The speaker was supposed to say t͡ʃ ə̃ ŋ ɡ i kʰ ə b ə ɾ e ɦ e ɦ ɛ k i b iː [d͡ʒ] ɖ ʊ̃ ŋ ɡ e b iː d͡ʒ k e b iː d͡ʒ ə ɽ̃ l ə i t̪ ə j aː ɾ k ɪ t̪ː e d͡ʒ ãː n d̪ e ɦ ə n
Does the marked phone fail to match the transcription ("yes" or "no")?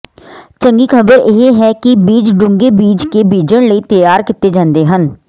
no